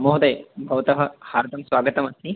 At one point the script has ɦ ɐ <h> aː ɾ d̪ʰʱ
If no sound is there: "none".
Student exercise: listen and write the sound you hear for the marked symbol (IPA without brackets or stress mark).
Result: h